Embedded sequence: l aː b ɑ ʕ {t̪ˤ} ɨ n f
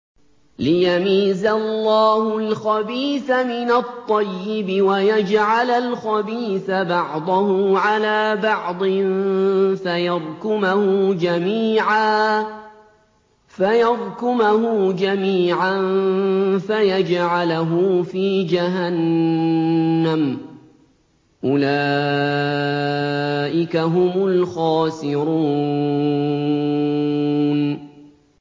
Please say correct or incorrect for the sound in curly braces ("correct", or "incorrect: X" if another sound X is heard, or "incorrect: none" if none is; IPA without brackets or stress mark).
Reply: incorrect: d̪ˤ